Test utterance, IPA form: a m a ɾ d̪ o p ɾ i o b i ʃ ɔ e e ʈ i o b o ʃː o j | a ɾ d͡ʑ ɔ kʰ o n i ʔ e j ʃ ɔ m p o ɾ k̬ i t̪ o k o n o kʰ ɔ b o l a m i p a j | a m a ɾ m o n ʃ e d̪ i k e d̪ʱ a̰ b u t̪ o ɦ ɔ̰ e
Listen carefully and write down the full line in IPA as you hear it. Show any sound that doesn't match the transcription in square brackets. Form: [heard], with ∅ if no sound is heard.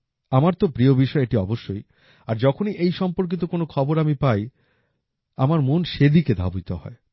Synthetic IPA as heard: a m a ɾ [t̪] o p ɾ i o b i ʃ ɔ e e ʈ i [ɔ] b o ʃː o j | a ɾ d͡ʑ ɔ kʰ o n i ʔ e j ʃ ɔ m p o ɾ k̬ i t̪ o k o n o kʰ ɔ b o [ɾ] a m i p a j | a m a ɾ m o n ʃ e d̪ i k e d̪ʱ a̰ b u t̪ o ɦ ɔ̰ e